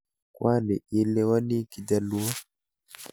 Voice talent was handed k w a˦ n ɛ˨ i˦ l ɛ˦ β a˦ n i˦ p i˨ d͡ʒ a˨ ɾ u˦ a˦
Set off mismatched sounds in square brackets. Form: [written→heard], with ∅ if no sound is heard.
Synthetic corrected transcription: k w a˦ n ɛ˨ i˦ l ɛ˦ [β→w] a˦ n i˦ [p→k] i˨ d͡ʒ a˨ [ɾ→l] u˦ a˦